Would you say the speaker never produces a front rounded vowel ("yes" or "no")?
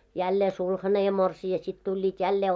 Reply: yes